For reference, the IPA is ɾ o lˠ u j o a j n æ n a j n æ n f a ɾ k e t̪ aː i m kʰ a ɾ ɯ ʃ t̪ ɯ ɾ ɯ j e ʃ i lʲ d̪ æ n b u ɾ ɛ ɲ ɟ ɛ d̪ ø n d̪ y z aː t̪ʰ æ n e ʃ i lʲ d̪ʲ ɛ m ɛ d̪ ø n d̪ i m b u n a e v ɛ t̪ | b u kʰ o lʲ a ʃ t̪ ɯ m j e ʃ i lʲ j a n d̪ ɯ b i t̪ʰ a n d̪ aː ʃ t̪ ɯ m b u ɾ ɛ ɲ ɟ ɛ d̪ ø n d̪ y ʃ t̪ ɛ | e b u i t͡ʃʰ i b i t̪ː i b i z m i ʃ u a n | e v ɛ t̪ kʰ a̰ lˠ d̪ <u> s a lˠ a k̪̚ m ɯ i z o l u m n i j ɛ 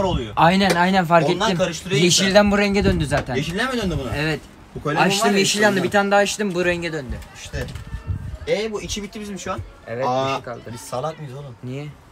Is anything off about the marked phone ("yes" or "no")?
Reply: yes